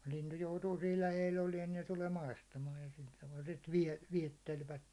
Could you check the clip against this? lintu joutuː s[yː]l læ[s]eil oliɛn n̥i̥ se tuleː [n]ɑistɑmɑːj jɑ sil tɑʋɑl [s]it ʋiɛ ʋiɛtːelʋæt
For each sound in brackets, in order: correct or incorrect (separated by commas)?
incorrect, incorrect, incorrect, correct